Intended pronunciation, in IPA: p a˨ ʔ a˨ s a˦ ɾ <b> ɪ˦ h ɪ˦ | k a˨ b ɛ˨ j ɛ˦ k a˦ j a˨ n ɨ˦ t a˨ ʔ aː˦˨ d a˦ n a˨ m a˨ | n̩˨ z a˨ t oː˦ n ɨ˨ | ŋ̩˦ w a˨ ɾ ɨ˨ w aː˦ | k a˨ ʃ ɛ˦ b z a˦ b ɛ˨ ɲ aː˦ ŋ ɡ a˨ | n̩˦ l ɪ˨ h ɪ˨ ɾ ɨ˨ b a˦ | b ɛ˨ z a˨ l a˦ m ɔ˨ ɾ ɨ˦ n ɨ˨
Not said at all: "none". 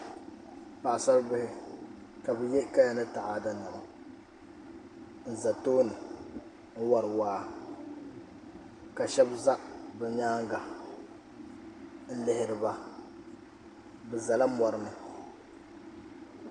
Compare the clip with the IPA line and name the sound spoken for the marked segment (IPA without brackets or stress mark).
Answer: b